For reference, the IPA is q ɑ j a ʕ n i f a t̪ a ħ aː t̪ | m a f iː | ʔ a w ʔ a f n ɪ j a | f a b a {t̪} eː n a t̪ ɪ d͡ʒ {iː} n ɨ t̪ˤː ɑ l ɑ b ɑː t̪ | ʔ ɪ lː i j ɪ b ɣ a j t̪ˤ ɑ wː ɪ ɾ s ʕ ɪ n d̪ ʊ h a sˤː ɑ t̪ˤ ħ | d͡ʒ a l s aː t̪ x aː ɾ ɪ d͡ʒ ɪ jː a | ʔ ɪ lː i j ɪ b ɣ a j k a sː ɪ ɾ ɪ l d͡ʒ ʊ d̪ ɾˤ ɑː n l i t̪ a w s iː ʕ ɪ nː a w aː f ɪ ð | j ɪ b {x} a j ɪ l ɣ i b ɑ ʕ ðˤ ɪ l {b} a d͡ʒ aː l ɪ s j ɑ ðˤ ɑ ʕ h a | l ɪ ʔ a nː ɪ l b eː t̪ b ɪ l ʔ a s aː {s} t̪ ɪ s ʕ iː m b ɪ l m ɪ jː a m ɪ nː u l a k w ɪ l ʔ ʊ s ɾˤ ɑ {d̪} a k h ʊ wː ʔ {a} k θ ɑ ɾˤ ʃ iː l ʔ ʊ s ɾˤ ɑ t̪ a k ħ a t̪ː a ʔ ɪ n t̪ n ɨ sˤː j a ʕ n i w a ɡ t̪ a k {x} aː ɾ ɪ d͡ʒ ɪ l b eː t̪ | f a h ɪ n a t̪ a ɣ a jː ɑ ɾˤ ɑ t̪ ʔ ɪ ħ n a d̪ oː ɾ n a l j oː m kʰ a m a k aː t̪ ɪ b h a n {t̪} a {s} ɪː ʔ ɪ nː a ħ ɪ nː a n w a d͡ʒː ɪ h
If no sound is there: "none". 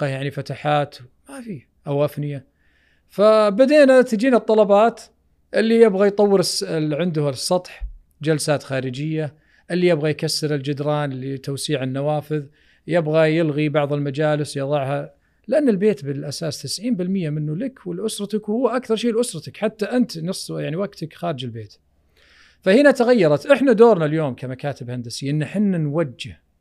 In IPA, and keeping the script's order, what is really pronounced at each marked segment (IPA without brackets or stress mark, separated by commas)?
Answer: d̪, iː, ɣ, m, s, t̪, a, x, d̪, s